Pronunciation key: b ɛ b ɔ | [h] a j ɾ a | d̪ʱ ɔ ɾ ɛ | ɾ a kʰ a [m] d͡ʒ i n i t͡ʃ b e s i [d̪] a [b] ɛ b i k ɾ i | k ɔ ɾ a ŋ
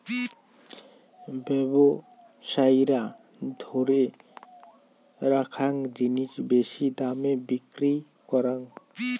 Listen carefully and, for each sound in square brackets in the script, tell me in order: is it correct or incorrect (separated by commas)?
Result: incorrect, incorrect, correct, incorrect